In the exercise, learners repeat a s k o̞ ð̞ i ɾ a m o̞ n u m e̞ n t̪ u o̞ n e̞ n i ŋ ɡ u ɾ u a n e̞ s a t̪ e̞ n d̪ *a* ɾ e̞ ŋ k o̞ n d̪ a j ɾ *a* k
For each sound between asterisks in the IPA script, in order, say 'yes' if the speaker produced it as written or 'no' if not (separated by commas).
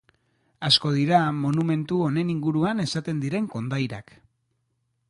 no, yes